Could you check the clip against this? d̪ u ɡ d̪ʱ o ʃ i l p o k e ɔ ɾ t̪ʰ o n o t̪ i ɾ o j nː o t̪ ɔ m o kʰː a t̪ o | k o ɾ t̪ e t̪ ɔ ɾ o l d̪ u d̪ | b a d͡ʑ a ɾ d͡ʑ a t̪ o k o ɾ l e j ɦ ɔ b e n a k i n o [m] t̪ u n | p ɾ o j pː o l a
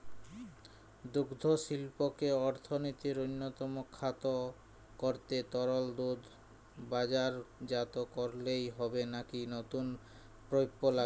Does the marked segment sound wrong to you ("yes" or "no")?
yes